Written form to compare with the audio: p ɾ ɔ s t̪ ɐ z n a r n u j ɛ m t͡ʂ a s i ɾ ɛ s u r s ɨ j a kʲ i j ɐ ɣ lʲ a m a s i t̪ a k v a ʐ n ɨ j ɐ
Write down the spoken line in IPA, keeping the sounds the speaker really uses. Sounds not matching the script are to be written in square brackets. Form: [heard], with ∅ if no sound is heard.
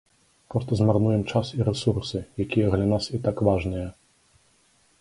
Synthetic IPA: p ɾ ɔ s t̪ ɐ z [m] a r n u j ɛ m t͡ʂ a s i ɾ ɛ s u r s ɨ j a kʲ i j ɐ ɣ lʲ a [n] a s i t̪ a k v a ʐ n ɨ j ɐ